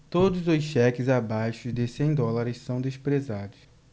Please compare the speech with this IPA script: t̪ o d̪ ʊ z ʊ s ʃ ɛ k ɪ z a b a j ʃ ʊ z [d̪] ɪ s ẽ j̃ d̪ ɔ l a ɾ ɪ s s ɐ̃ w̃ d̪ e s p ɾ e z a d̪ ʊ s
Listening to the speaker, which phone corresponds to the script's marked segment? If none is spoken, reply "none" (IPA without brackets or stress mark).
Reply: d̪